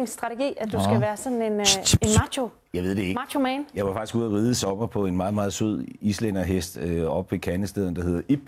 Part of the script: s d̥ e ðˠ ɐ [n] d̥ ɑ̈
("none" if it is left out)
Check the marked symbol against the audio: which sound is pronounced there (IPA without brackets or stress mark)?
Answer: n